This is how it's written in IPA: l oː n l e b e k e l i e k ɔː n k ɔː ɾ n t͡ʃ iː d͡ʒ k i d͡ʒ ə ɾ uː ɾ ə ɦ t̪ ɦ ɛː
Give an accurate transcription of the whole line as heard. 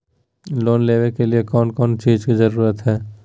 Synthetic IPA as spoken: l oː n l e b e k e l i e k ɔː n k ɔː n t͡ʃ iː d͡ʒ k i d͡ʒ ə ɾ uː ɾ ə t̪ ɦ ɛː